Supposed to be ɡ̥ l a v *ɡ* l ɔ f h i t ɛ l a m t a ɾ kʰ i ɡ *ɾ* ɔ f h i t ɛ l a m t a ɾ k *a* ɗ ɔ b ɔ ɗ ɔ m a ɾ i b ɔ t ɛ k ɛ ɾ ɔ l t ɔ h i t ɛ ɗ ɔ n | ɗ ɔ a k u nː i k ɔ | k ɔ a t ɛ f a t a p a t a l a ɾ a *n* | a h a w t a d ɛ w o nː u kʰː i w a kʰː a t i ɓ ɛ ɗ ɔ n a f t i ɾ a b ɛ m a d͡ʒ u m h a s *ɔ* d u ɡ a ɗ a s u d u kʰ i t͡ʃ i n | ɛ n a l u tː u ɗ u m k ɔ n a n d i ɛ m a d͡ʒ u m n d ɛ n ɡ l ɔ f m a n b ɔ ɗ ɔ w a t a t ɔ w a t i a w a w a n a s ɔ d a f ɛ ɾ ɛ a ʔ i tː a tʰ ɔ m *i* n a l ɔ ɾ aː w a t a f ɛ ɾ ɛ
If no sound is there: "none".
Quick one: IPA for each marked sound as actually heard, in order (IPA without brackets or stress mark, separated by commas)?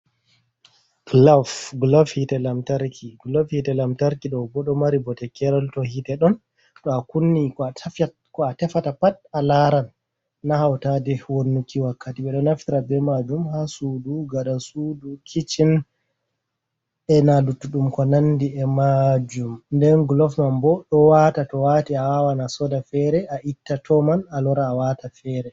ɡ, l, i, nː, u, a